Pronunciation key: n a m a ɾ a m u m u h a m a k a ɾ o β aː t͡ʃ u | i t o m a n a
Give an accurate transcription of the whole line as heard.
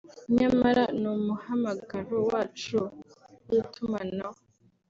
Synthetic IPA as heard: ɲ a m a ɾ a n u m u h a m a ɡ a ɾ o w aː t͡ʃ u | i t u m a n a